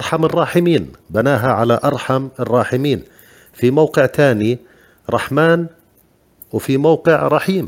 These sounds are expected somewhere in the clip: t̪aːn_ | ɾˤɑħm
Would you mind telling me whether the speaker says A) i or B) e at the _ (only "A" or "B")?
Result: A